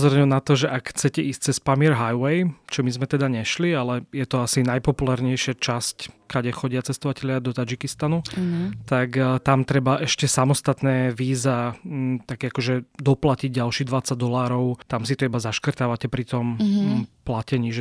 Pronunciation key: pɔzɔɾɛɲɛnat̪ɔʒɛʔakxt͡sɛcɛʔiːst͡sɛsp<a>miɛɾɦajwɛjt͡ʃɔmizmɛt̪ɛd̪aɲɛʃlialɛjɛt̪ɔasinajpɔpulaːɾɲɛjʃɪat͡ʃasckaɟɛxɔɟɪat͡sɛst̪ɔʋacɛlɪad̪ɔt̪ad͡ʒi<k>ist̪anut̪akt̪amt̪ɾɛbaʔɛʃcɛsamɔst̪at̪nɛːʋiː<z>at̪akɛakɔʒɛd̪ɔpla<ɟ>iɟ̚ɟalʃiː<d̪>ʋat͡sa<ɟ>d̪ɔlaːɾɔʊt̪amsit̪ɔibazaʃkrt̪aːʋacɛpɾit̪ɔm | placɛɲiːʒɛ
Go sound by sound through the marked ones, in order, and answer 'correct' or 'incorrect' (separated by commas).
correct, correct, correct, incorrect, correct, correct